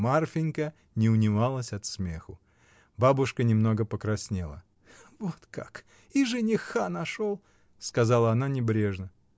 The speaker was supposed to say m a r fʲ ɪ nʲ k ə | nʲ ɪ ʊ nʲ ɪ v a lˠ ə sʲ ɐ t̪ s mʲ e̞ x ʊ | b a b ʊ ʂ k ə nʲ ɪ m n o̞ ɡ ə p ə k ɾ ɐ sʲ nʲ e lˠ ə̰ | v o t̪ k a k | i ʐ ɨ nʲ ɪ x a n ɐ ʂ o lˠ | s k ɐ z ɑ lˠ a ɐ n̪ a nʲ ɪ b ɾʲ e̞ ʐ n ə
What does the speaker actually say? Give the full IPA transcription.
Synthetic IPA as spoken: m a r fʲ ɪ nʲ k ə | nʲ ɪ ʊ nʲ ɪ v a lˠ ə sʲ ɐ t̪ s mʲ e̞ x ʊ | b a b ʊ ʂ k ə nʲ ɪ m n o̞ ɡ ə p ə k ɾ ɐ sʲ nʲ e lˠ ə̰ | v o t̪ k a k | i ʐ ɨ nʲ ɪ x a n ɐ ʂ o lˠ | s k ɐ z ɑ lˠ ə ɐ n̪ a nʲ ɪ b ɾʲ e̞ ʐ n ə